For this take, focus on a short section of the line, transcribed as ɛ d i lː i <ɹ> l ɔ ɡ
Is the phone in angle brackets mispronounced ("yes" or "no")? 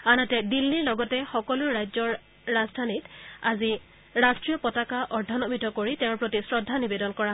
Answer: no